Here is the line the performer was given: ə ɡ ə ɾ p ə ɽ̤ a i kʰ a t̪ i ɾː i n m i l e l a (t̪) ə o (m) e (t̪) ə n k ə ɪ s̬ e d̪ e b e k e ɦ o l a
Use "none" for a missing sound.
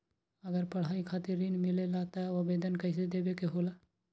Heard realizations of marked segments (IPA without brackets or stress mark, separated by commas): t̪, b, d̪